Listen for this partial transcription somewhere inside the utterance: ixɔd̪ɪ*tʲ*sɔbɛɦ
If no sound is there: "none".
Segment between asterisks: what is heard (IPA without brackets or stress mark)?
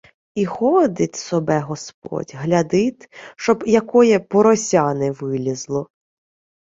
tʲ